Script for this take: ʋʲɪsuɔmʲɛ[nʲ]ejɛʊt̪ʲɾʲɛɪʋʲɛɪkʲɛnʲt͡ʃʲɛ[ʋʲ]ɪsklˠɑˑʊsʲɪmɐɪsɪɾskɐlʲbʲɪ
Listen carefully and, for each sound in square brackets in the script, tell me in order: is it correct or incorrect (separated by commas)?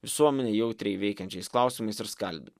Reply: correct, incorrect